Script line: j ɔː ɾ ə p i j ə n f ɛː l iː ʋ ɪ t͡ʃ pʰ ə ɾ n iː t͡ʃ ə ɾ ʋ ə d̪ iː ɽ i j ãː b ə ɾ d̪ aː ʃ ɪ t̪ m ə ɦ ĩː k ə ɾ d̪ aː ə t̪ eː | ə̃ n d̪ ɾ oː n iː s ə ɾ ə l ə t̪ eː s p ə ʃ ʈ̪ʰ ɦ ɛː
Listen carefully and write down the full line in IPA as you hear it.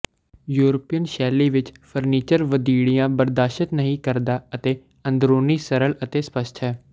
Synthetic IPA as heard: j uː ɾ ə p i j ə n ʃ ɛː l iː ʋ ɪ t͡ʃ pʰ ə ɾ n iː t͡ʃ ə ɾ ʋ ə d̪ iː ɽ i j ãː b ə ɾ d̪ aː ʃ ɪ t̪ n ə ɦ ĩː k ə ɾ d̪ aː ə t̪ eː | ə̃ n d̪ ɾ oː n iː s ə ɾ ə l ə t̪ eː s p ə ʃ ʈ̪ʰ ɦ ɛː

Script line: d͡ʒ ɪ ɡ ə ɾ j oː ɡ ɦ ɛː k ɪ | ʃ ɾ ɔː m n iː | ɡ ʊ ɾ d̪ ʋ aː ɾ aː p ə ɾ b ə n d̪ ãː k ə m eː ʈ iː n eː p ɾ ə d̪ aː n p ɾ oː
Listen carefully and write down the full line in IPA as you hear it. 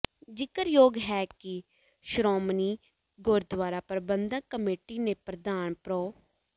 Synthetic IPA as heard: d͡ʒ ɪ k ə ɾ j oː ɡ ɦ ɛː k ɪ | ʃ ɾ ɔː m n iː | ɡ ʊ ɾ d̪ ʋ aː ɾ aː p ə ɾ b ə n d̪ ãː k ə m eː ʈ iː n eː p ɾ ə d̪ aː n p ɾ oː

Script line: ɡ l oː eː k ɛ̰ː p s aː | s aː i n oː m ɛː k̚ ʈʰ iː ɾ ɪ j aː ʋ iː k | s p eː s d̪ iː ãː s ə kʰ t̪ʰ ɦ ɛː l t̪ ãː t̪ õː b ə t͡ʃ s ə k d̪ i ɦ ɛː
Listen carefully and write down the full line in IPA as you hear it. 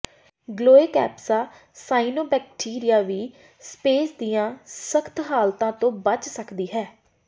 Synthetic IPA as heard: ɡ l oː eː k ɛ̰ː p s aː | s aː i n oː b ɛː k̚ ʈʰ iː ɾ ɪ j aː ʋ iː | s p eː s d̪ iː ãː s ə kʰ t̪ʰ ɦ aː l t̪ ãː t̪ õː b ə t͡ʃ s ə k d̪ iː ɦ ɛː

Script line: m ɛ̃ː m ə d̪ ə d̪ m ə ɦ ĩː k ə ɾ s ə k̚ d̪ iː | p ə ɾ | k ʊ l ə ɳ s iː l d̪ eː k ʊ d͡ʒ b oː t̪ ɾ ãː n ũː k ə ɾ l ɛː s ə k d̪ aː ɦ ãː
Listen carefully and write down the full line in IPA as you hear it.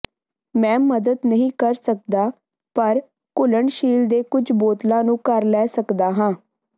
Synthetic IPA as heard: m ɛ̃ː m ə d̪ ə d̪ n ə ɦ ĩː k ə ɾ s ə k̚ d̪ aː | p ə ɾ | k ʊ l ə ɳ ʃ iː l d̪ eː k ʊ d͡ʒ b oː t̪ l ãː n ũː k ə ɾ l ɛː s ə k d̪ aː ɦ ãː

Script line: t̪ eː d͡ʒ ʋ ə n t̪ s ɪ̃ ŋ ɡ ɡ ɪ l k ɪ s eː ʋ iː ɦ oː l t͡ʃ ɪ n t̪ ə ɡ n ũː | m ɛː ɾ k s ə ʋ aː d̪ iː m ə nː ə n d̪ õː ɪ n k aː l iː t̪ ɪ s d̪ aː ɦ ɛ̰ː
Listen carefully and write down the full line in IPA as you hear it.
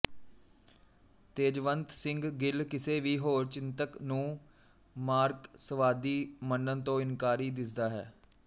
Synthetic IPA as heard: t̪ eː d͡ʒ ʋ ə n t̪ s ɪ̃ ŋ ɡ ɡ ɪ l k ɪ s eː ʋ iː ɦ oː ɾ t͡ʃ ɪ n t̪ ə k n ũː | m aː ɾ k s ə ʋ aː d̪ iː m ə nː ə n t̪ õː ɪ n k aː ɾ iː d̪ ɪ s d̪ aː ɦ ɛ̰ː

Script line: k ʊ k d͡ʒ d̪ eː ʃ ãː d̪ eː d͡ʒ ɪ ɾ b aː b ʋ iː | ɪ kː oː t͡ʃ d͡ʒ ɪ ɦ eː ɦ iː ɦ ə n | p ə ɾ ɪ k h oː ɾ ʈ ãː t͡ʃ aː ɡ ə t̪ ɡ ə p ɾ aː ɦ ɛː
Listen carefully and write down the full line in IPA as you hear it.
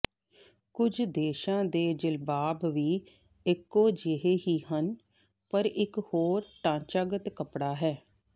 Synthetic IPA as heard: k ʊ d͡ʒ d̪ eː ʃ ãː d̪ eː d͡ʒ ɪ l b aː b ʋ iː | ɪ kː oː d͡ʒ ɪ ɦ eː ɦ iː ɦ ə n | p ə ɾ ɪ k h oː ɾ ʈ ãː t͡ʃ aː ɡ ə t̪ k ə p ɽ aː ɦ ɛː

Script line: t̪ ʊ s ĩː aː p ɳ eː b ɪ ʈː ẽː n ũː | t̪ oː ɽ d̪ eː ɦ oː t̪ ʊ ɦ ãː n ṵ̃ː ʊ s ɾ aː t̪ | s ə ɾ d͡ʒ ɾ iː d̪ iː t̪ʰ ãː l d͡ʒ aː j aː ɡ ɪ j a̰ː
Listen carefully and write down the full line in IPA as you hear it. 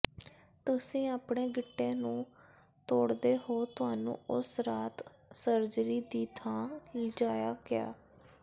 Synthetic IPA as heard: t̪ ʊ s ĩː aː p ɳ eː ɡ ɪ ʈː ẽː n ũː | t̪ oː ɽ d̪ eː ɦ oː t̪ ʊ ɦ aː n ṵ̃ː ʊ s ɾ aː t̪ | s ə ɾ d͡ʒ ɾ iː d̪ iː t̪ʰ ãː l d͡ʒ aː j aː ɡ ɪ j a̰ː

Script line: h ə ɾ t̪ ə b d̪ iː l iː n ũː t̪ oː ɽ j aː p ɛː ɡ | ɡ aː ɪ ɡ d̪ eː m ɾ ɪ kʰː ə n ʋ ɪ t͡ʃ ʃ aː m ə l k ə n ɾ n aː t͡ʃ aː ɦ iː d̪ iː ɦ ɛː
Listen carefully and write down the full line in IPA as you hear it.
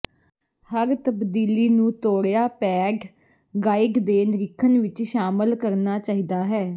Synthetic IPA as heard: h ə ɾ t̪ ə b d̪ iː l iː n ũː t̪ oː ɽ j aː p ɛː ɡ | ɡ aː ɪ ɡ d̪ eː n ɾ ɪ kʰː ə n ʋ ɪ t͡ʃ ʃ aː m ə l k ə ɾ n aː t͡ʃ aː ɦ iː d̪ aː ɦ ɛː

